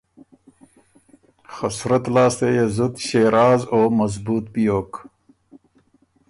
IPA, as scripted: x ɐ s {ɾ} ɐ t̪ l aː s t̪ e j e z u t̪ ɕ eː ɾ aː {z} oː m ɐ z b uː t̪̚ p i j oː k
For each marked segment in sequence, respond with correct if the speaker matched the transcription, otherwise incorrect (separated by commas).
correct, correct